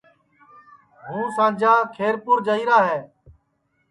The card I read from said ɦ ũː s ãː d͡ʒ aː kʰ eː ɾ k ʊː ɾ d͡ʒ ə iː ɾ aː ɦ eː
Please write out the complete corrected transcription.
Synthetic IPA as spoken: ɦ ũː s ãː d͡ʒ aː kʰ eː ɾ p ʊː ɾ d͡ʒ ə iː ɾ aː ɦ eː